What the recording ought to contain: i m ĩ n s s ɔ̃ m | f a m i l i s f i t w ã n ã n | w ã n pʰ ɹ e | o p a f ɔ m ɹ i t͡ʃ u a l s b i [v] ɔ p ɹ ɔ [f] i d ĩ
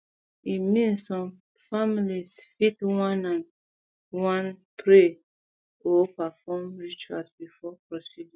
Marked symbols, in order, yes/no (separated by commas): no, no